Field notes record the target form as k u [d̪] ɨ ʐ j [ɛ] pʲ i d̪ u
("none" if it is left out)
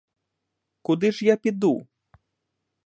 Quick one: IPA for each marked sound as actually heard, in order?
d̪, a

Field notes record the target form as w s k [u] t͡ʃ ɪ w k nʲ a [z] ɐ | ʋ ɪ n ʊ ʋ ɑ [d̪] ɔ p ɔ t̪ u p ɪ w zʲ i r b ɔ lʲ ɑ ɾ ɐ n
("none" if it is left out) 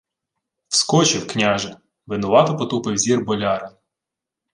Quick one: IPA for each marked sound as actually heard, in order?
ɔ, ʒ, t̪

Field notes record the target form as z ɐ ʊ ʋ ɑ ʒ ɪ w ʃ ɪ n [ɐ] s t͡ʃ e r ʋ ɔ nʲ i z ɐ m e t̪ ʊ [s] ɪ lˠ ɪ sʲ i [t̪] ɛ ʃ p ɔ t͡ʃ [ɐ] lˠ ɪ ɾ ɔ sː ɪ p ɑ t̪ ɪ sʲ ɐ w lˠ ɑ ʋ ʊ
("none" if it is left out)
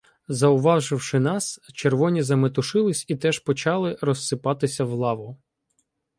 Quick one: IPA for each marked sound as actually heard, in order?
ɑ, ʃ, t̪, ɑ

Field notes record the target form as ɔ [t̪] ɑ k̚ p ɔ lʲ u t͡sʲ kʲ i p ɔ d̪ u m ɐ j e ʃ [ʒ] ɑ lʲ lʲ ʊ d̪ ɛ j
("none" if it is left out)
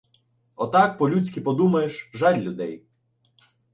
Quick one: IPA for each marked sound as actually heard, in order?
t̪, ʒ

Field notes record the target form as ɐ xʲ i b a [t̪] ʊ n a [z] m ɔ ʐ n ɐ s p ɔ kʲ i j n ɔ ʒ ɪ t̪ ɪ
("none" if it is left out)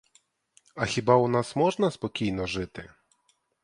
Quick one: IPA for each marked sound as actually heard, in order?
none, s

